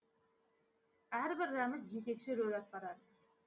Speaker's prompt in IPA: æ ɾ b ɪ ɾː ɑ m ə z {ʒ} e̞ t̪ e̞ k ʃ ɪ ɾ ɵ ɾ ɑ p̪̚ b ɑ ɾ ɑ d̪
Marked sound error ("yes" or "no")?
no